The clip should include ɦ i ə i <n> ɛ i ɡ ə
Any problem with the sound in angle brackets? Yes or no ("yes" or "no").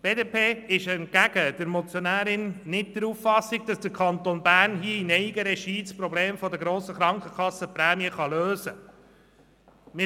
no